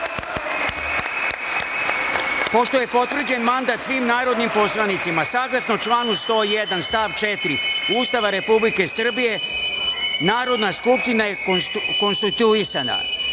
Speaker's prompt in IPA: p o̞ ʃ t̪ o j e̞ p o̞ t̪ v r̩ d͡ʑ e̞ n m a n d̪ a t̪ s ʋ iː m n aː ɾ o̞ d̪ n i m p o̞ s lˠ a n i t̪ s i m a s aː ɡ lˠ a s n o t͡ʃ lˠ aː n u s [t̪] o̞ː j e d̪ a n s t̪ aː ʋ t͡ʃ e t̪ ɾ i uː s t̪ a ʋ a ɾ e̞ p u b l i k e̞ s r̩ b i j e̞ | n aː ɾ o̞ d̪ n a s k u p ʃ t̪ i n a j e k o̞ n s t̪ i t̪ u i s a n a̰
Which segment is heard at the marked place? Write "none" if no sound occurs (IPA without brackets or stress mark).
t̪